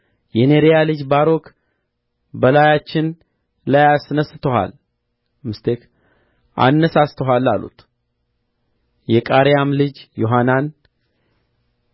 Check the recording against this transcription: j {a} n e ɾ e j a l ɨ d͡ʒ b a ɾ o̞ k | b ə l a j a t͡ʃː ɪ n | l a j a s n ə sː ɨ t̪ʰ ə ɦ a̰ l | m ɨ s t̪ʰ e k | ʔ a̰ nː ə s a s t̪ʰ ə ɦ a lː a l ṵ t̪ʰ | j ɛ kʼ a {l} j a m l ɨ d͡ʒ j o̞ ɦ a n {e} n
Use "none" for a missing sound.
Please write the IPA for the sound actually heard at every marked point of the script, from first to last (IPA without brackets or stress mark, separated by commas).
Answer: ɛ, ɾ, a